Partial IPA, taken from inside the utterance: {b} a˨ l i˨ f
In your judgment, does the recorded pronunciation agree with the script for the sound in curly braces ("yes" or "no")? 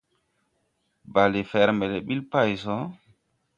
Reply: yes